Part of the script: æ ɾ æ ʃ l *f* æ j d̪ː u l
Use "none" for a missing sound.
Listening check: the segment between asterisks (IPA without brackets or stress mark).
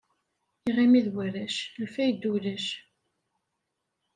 f